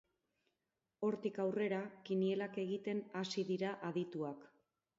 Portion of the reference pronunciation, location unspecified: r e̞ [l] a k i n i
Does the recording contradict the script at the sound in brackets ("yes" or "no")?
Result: yes